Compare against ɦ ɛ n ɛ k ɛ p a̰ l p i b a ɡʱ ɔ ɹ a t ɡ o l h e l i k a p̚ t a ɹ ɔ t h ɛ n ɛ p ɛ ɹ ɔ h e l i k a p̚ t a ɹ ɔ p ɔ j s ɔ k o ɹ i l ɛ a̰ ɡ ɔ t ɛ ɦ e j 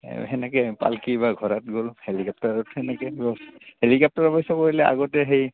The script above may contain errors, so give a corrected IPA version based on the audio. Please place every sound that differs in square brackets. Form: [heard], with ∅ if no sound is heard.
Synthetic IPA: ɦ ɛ n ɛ k ɛ p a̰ l [k] i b a ɡʱ ɔ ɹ a t ɡ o l h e l i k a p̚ t a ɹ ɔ t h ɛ n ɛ [k] ɛ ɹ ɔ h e l i k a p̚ t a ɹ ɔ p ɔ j s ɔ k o ɹ i l ɛ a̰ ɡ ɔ t ɛ ɦ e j